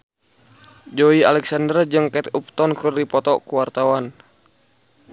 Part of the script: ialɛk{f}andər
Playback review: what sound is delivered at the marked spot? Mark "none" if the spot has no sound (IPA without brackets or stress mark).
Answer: s